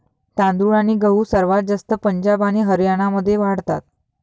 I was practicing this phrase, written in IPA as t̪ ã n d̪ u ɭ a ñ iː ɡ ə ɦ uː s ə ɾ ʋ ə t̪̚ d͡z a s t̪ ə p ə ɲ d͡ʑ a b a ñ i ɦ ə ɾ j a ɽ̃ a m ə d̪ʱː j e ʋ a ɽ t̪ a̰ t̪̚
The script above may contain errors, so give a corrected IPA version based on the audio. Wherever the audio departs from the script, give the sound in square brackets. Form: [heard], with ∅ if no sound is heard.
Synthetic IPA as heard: t̪ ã n d̪ u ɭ a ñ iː ɡ ə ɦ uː s ə ɾ ʋ [a] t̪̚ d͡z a s t̪ ə p ə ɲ d͡ʑ a b a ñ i ɦ ə ɾ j a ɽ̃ a m ə d̪ʱː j e ʋ a ɽ t̪ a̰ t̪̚